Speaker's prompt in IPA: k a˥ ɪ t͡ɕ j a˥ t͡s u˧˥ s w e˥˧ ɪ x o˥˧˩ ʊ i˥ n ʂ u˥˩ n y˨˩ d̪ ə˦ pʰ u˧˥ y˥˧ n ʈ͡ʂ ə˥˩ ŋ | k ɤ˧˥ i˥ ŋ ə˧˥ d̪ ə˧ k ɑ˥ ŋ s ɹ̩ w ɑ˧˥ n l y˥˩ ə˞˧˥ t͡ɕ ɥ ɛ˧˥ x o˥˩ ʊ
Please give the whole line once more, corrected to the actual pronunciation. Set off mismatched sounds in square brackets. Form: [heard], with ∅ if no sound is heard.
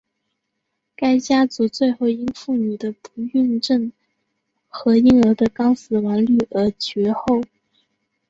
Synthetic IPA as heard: k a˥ ɪ t͡ɕ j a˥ t͡s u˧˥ [t͡s] w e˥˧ ɪ x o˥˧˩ ʊ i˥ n [f] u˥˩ n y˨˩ d̪ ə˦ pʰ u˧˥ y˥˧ n ʈ͡ʂ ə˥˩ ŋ | [x] ɤ˧˥ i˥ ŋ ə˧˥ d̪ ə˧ k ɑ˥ ŋ s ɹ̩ w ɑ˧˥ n l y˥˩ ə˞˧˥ t͡ɕ ɥ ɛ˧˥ x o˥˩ ʊ

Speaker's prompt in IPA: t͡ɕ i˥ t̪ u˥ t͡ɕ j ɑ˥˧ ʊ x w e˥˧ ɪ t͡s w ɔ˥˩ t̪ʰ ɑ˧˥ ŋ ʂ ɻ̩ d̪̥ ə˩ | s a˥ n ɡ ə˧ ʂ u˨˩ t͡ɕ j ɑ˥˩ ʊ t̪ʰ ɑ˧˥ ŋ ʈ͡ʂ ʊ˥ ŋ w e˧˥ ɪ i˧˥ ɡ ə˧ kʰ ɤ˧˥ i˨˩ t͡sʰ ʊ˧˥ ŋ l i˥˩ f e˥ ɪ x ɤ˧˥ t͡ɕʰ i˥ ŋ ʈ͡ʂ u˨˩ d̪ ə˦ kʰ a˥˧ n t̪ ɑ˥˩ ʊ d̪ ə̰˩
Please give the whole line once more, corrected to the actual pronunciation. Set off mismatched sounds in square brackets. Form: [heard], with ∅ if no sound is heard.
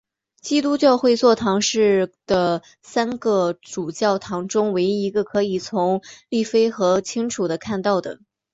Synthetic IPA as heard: t͡ɕ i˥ t̪ u˥ t͡ɕ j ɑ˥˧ ʊ x w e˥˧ ɪ t͡s w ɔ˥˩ t̪ʰ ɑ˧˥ ŋ ʂ ɻ̩ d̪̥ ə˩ | s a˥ n ɡ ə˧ [ʈ͡ʂ] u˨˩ t͡ɕ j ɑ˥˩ ʊ t̪ʰ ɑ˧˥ ŋ ʈ͡ʂ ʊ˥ ŋ w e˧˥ ɪ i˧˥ ɡ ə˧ kʰ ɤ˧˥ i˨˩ t͡sʰ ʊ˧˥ ŋ l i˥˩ f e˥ ɪ x ɤ˧˥ t͡ɕʰ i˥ ŋ [ʈ͡ʂʰ] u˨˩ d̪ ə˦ kʰ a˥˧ n t̪ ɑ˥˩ ʊ d̪ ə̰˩

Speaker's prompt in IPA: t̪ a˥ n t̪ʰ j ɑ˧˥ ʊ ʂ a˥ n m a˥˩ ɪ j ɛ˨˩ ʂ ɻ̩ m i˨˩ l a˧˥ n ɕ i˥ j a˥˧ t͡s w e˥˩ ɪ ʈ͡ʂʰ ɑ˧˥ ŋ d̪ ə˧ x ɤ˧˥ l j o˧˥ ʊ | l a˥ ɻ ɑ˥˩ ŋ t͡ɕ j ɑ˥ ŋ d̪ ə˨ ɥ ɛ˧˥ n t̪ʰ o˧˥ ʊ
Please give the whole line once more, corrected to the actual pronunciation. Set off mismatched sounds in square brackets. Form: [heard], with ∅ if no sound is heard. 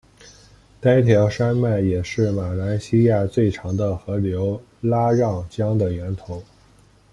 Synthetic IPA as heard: t̪ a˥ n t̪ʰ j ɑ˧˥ ʊ ʂ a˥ n m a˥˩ ɪ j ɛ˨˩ ʂ ɻ̩ m [a˨˩] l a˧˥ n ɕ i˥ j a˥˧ t͡s w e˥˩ ɪ ʈ͡ʂʰ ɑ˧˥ ŋ d̪ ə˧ x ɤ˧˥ l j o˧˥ ʊ | l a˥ ɻ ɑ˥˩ ŋ t͡ɕ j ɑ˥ ŋ d̪ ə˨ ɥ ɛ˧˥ n t̪ʰ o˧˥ ʊ

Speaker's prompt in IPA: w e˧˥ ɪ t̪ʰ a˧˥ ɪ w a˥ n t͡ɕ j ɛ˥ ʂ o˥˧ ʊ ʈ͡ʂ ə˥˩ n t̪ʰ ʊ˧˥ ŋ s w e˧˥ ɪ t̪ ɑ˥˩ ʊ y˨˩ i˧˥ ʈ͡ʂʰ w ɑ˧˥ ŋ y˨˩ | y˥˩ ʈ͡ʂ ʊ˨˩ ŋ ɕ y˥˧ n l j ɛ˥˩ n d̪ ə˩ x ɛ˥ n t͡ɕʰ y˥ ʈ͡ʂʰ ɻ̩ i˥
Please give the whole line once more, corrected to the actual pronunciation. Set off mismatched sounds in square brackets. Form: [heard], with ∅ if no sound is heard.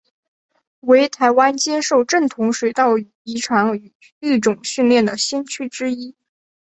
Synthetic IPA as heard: w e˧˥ ɪ t̪ʰ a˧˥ ɪ w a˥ n t͡ɕ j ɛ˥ ʂ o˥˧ ʊ ʈ͡ʂ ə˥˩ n t̪ʰ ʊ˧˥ ŋ [ʂ] w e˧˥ ɪ t̪ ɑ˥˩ ʊ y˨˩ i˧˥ ʈ͡ʂʰ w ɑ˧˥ ŋ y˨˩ | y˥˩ ʈ͡ʂ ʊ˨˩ ŋ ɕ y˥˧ n l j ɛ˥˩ n d̪ ə˩ [ɕ] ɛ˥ n t͡ɕʰ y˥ [ʈ͡ʂ] ɻ̩ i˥

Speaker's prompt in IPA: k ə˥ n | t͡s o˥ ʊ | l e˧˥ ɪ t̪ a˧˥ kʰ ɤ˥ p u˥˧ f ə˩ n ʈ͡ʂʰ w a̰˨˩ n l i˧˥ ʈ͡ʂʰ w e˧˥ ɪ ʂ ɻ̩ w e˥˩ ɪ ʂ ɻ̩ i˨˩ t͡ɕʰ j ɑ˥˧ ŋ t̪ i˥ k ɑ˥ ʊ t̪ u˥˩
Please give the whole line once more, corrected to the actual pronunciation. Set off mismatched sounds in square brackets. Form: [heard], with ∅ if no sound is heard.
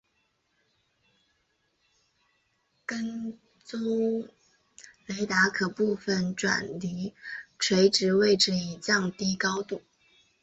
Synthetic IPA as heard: k ə˥ n | t͡s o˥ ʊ | l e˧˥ ɪ t̪ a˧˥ kʰ [ɤ˨˩] p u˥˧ f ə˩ n [ʈ͡ʂ] w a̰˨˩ n l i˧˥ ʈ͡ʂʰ w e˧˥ ɪ [ʈ͡ʂ] ɻ̩ w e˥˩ ɪ [ʈ͡ʂ] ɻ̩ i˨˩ [t͡ɕ] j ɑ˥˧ ŋ t̪ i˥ k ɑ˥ ʊ t̪ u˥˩

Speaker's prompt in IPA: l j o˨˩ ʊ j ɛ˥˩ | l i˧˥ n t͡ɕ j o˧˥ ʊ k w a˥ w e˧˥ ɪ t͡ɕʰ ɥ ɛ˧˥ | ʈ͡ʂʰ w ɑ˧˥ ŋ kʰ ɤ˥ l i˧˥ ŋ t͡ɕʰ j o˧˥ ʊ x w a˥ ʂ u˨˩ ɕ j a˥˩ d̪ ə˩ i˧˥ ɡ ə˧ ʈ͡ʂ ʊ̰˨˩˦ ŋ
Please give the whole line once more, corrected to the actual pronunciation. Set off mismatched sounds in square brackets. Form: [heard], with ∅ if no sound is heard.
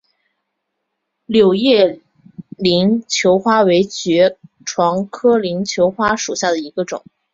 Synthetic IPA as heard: l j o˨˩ ʊ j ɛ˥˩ | l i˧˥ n [t͡ɕʰ] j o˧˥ ʊ [x] w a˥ w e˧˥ ɪ [t͡ɕ] ɥ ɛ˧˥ | ʈ͡ʂʰ w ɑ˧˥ ŋ kʰ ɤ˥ l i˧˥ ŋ t͡ɕʰ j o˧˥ ʊ x w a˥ ʂ u˨˩ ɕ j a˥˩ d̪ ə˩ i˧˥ ɡ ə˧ ʈ͡ʂ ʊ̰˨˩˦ ŋ

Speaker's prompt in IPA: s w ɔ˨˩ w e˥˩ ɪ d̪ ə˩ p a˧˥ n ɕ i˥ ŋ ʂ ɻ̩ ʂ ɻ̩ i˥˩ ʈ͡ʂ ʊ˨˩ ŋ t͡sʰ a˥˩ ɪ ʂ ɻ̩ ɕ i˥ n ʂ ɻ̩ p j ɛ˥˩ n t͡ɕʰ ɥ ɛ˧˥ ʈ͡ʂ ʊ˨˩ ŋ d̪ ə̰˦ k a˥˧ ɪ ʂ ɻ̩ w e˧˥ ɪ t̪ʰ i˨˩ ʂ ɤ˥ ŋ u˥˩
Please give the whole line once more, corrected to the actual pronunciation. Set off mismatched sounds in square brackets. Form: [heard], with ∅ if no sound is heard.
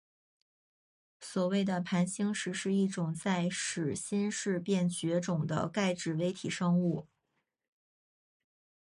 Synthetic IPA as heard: s w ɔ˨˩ w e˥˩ ɪ d̪ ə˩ [pʰ] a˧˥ n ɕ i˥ ŋ ʂ ɻ̩ ʂ ɻ̩ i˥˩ ʈ͡ʂ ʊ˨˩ ŋ [t͡s] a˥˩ ɪ ʂ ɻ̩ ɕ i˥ n ʂ ɻ̩ p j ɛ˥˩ n [t͡ɕ] ɥ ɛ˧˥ ʈ͡ʂ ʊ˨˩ ŋ d̪ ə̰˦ k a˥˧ ɪ [ʈ͡ʂ] ɻ̩ w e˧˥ ɪ t̪ʰ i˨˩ ʂ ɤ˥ ŋ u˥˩

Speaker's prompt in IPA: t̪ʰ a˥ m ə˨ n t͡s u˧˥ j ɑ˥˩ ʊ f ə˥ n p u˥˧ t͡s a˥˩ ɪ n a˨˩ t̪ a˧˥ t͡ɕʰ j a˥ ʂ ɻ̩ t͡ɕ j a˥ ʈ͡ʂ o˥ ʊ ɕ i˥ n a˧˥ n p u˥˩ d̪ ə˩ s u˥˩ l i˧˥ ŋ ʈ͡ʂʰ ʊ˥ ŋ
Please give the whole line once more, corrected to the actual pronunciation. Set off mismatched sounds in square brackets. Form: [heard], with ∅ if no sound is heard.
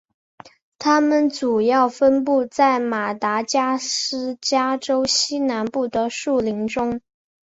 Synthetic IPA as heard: t̪ʰ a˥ m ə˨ n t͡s [u˨˩] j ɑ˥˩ ʊ f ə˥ n p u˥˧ t͡s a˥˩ ɪ [m] a˨˩ t̪ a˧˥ [t͡ɕ] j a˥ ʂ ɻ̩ t͡ɕ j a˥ ʈ͡ʂ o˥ ʊ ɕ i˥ n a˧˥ n p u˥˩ d̪ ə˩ [ʂ] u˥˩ l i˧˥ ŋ [ʈ͡ʂ] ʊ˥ ŋ

